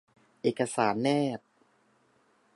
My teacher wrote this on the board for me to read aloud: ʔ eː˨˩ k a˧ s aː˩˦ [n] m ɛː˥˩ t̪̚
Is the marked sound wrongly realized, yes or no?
no